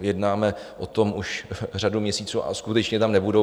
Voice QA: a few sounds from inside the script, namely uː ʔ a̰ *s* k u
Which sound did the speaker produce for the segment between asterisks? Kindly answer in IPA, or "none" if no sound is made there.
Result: s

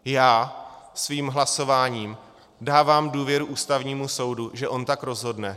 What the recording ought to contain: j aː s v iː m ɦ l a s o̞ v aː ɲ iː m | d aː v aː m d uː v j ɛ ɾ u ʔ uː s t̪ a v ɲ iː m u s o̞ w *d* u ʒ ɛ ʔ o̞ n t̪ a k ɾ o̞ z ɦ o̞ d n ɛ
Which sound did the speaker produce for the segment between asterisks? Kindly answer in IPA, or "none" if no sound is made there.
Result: d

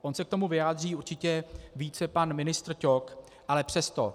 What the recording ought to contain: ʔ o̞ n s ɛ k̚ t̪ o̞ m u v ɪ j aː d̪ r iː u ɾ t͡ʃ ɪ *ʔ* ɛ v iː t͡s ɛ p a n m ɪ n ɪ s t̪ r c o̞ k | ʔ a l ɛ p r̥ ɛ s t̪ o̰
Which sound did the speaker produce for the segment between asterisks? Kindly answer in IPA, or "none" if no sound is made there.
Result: c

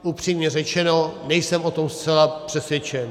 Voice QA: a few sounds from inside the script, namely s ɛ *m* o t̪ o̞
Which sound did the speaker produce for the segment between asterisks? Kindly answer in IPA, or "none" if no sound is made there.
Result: m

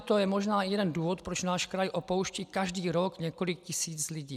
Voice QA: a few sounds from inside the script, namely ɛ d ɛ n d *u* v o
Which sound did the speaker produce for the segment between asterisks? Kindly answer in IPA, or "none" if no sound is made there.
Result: uː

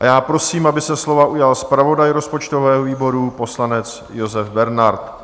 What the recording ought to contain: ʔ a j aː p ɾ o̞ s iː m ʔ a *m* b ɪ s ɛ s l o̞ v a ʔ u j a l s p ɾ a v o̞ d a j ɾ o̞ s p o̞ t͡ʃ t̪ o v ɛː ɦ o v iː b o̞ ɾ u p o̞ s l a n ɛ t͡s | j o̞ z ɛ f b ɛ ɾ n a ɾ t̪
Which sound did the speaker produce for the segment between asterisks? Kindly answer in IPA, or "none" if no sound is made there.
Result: none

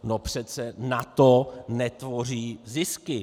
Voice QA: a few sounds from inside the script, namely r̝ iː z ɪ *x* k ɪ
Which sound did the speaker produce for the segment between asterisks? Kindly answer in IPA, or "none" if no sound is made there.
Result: s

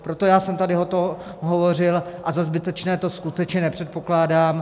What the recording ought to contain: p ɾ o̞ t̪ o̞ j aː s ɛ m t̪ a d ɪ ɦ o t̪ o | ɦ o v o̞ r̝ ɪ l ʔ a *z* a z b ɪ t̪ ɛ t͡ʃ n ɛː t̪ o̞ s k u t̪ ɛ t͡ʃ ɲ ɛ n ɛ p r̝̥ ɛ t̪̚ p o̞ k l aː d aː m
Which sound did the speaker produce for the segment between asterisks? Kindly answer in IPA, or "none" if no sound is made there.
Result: z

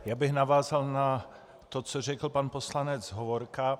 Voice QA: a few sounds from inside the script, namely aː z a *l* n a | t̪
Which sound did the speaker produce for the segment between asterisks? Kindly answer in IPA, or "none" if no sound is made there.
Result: l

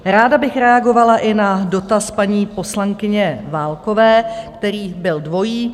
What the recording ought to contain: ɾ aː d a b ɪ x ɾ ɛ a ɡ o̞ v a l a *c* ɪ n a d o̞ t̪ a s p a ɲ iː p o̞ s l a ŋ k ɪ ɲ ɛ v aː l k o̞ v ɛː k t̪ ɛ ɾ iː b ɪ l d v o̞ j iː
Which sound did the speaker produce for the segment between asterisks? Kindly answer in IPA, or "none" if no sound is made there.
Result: ʔ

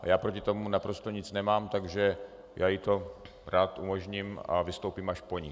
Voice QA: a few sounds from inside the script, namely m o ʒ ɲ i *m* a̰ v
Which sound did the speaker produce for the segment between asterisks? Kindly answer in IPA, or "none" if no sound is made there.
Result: m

